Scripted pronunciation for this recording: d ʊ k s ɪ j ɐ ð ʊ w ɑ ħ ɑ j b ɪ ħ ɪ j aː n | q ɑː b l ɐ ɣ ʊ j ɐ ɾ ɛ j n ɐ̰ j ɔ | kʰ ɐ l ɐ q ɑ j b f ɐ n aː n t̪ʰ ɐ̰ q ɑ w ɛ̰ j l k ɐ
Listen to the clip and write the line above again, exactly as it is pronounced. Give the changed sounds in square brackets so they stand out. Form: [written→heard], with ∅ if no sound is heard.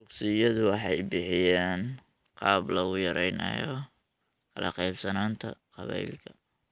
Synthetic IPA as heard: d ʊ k s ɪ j ɐ ð ʊ w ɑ ħ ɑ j b ɪ ħ ɪ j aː n | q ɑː b l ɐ ɣ ʊ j ɐ ɾ ɛ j n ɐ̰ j ɔ | kʰ ɐ l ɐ q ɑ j b [f→s] ɐ n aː n t̪ʰ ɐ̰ q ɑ [w→β] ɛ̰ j l [k→kʰ] ɐ